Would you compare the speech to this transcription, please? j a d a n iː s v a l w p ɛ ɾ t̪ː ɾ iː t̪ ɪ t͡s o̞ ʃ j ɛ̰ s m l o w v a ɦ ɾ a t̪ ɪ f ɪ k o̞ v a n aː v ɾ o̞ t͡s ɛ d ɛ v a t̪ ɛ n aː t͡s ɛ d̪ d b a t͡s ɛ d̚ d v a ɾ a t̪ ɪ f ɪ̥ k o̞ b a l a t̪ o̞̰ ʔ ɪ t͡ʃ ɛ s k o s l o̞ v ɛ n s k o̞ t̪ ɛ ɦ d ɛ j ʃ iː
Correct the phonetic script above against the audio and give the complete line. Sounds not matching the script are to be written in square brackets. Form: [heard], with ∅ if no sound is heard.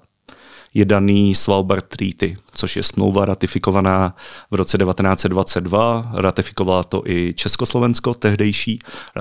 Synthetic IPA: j [ɛ] d a n iː s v a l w [b] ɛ ɾ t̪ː ɾ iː t̪ ɪ t͡s o̞ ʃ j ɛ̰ s m l o w v a [∅] ɾ a t̪ ɪ f ɪ k o̞ v a n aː v ɾ o̞ t͡s ɛ d ɛ v a t̪ ɛ n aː t͡s ɛ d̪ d [v] a t͡s ɛ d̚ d v a ɾ a t̪ ɪ f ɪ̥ k o̞ [v] a l a t̪ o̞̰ ʔ ɪ t͡ʃ ɛ s k o s l o̞ v ɛ n s k o̞ t̪ ɛ ɦ d ɛ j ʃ iː